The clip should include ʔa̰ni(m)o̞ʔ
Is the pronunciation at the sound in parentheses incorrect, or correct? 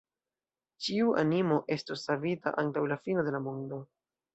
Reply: correct